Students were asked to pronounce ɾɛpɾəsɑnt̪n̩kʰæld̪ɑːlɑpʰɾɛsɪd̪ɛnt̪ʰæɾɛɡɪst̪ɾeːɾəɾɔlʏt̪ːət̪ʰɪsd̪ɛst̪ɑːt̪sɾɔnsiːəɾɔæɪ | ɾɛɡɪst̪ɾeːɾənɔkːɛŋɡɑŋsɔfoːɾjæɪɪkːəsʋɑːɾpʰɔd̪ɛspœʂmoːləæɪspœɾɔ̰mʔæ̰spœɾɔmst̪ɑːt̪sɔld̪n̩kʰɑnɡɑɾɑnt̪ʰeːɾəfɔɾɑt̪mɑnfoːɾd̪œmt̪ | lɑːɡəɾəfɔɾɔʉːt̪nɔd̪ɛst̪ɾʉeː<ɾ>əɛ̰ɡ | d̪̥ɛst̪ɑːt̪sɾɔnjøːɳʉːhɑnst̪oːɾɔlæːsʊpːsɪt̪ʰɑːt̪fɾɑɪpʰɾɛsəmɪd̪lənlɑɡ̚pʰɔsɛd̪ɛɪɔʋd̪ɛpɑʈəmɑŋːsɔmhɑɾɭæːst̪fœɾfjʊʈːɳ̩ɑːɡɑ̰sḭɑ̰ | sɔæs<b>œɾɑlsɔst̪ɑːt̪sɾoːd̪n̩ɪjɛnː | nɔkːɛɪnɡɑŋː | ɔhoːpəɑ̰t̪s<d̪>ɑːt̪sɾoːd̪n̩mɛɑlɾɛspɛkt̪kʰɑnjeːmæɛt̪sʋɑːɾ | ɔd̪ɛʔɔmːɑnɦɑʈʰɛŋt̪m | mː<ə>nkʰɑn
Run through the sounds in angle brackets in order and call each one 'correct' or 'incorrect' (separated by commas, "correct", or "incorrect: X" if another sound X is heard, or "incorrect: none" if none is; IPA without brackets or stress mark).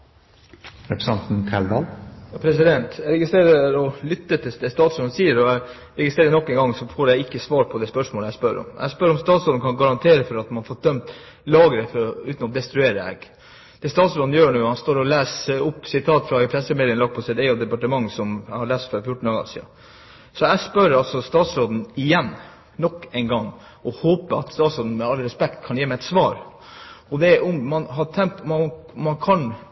correct, incorrect: p, incorrect: t̪, incorrect: ɑ